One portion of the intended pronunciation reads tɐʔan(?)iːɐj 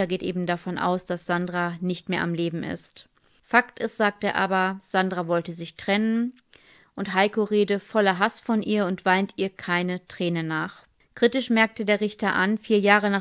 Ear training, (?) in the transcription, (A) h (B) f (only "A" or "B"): B